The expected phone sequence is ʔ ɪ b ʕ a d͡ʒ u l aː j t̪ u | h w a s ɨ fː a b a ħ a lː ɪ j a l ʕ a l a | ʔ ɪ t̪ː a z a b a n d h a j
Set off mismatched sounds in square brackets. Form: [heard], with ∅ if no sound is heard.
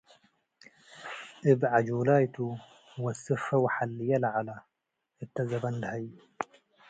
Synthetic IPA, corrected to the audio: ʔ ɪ b ʕ a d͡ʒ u l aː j t̪ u | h w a s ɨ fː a [w] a ħ a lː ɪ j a l ʕ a l a | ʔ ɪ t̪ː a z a b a n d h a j